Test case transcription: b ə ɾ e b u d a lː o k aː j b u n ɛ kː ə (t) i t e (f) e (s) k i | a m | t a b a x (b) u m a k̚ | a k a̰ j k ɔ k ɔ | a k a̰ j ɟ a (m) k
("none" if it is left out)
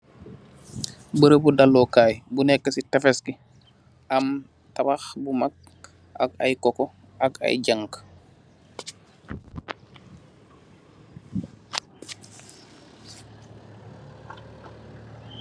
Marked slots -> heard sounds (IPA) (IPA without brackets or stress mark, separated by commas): s, f, s, b, ŋ